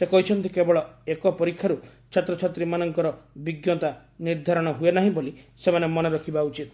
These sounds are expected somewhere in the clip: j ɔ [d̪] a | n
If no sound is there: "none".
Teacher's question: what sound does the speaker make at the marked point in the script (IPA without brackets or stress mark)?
t̪